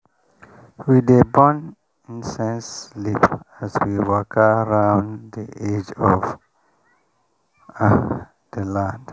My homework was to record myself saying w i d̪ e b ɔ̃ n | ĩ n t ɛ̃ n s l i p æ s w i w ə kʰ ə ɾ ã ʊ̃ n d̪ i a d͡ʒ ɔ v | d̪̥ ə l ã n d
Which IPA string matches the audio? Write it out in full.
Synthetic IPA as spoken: w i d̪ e b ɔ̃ n | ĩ n s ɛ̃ n s l i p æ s w i w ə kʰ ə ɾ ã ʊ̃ n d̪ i e d͡ʒ ɔ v | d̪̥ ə l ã n d